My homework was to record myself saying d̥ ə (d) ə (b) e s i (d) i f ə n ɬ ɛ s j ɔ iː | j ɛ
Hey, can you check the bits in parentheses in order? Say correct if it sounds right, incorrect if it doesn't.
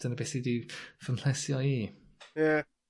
incorrect, correct, correct

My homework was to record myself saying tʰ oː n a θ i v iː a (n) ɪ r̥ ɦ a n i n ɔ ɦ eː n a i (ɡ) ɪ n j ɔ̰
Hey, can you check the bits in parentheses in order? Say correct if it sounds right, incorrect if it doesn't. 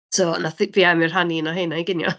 incorrect, correct

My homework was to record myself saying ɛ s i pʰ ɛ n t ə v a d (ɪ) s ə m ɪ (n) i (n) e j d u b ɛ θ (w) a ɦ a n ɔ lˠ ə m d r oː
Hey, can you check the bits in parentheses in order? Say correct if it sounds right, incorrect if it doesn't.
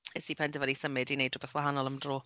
incorrect, incorrect, correct, correct

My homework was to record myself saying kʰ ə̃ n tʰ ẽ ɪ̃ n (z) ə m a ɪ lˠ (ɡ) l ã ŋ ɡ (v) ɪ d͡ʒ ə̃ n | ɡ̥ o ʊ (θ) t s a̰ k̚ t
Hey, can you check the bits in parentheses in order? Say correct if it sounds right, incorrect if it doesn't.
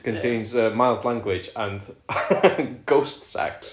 correct, incorrect, incorrect, incorrect

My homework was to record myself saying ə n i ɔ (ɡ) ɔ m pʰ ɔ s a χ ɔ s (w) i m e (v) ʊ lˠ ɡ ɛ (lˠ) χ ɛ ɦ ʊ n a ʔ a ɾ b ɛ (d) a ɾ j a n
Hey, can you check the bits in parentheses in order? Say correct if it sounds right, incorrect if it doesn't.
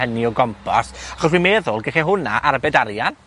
correct, correct, incorrect, incorrect, correct

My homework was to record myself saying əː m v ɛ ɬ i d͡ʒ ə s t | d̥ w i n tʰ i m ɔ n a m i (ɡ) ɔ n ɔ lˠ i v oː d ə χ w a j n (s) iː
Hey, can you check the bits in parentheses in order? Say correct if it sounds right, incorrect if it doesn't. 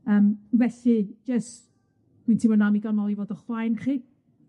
correct, incorrect

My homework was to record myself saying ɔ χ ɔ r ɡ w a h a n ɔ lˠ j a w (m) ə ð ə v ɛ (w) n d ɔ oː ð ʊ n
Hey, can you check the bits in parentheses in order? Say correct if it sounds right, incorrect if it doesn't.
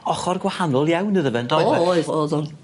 incorrect, incorrect

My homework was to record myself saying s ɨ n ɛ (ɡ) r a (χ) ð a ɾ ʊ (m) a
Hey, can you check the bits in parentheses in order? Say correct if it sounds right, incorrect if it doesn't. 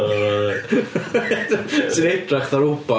incorrect, correct, incorrect

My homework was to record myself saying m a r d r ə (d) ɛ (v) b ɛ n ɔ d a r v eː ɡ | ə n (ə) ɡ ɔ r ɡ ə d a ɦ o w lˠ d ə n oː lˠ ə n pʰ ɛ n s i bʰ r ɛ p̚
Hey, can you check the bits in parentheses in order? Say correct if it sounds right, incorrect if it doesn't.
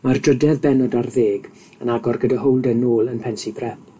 correct, incorrect, incorrect

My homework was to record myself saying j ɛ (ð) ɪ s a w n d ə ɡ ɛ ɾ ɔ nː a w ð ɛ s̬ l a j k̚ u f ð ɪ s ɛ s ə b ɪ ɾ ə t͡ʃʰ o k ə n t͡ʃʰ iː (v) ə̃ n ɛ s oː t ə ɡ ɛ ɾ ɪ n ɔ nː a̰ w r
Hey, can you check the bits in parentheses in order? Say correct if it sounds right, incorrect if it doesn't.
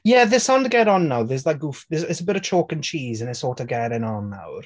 correct, incorrect

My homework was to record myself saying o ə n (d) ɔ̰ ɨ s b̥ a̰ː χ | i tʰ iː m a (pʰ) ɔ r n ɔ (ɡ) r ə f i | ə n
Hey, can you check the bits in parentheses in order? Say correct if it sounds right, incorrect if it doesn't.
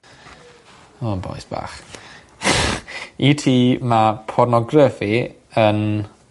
incorrect, correct, correct

